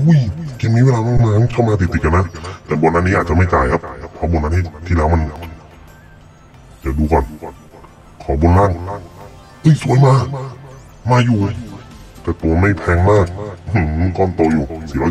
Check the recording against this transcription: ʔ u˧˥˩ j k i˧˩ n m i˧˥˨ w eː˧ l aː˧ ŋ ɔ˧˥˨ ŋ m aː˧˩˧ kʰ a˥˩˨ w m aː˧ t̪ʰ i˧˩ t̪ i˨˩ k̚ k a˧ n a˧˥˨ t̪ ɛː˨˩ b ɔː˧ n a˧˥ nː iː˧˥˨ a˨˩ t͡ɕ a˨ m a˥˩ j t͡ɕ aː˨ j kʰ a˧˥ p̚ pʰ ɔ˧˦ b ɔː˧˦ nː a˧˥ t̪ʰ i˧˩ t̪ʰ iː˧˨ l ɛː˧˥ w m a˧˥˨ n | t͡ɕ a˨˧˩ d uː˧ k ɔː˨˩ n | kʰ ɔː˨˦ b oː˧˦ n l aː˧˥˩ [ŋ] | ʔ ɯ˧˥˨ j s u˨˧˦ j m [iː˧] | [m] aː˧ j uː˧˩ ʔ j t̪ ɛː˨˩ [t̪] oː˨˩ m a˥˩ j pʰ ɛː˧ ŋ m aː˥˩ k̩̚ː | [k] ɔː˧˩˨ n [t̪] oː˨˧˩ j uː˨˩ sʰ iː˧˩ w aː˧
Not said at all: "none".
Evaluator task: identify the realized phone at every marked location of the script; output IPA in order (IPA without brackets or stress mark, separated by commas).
ŋ, aː˧, m, t̪, k, t̪